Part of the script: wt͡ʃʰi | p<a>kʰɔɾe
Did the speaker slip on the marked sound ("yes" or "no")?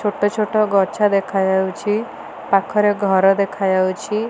no